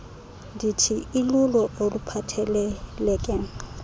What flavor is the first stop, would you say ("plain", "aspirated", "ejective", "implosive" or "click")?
plain